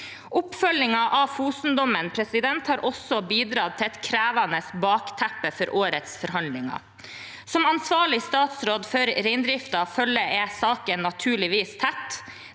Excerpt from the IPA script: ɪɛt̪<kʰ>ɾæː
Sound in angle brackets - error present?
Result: no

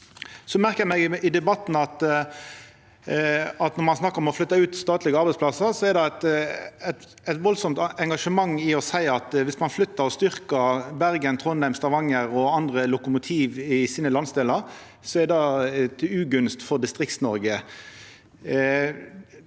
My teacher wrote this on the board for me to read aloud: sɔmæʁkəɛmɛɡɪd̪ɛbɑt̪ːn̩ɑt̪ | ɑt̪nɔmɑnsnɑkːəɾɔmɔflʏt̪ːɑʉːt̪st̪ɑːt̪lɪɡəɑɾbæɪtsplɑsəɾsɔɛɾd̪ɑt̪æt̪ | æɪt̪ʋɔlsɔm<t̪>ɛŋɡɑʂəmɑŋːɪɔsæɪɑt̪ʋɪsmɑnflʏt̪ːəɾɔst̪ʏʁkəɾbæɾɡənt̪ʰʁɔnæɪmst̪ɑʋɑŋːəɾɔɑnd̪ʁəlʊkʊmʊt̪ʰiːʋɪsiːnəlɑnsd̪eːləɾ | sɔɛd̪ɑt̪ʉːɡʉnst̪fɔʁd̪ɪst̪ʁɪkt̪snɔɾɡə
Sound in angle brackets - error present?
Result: no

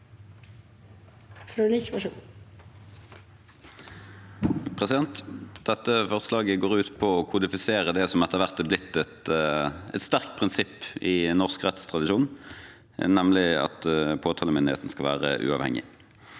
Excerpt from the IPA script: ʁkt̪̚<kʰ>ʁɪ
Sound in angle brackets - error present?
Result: yes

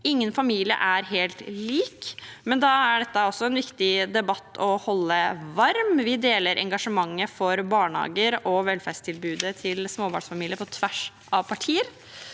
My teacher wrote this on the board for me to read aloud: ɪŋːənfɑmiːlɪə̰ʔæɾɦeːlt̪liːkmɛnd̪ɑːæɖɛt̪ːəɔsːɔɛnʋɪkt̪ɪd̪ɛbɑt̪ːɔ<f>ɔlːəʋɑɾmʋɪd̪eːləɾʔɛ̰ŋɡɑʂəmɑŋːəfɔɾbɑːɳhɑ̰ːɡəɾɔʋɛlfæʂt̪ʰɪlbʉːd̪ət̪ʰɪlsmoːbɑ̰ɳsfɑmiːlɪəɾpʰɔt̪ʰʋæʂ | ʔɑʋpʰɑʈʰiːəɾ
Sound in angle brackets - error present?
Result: yes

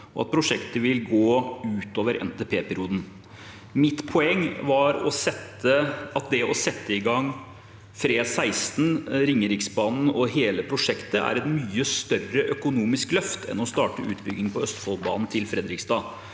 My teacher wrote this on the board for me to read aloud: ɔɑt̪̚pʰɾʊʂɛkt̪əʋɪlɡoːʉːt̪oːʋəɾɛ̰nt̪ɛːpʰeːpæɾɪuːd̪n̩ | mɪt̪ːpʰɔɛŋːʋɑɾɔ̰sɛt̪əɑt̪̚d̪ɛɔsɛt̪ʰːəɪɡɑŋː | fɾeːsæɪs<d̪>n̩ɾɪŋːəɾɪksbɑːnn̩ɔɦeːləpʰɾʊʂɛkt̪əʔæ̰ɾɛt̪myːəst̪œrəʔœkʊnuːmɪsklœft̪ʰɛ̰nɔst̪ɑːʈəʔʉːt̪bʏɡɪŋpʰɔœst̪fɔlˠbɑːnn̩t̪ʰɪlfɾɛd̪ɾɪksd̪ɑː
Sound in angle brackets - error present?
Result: yes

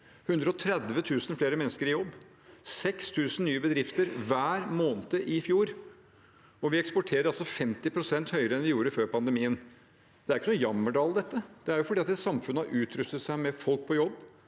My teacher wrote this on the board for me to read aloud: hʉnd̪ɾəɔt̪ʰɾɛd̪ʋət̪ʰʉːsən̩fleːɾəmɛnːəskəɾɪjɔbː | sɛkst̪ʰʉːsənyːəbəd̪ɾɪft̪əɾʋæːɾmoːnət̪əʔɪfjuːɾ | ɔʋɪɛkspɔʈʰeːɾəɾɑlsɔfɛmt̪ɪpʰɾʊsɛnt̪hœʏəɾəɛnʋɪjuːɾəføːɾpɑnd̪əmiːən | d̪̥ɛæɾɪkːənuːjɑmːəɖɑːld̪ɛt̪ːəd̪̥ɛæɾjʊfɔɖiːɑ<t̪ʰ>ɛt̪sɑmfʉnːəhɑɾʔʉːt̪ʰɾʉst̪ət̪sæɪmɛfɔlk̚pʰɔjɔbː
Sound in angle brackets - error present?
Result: yes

